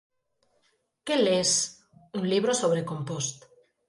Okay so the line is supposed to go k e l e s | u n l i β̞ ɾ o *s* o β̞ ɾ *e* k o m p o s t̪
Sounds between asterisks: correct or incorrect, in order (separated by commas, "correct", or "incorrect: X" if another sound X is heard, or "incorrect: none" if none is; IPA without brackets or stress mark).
correct, correct